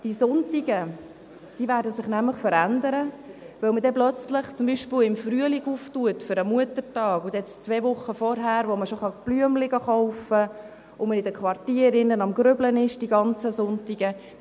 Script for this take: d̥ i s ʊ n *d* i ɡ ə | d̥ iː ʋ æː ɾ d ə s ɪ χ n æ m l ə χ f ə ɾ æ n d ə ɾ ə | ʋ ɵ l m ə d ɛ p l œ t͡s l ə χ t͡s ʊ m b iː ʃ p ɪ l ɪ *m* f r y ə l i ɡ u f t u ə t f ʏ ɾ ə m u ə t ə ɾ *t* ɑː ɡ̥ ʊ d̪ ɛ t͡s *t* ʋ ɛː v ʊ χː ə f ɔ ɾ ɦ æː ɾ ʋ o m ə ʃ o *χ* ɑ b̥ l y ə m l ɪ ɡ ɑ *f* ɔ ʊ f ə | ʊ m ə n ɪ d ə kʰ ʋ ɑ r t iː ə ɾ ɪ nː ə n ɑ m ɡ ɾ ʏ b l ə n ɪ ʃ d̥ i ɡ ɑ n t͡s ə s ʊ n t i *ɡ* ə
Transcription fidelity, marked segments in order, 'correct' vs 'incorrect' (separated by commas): incorrect, correct, correct, incorrect, correct, incorrect, correct